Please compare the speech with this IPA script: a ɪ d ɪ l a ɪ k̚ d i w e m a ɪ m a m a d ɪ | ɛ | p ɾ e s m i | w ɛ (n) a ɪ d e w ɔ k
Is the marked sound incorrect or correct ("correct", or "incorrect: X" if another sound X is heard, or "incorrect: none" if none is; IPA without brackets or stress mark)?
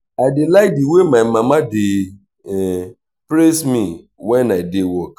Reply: correct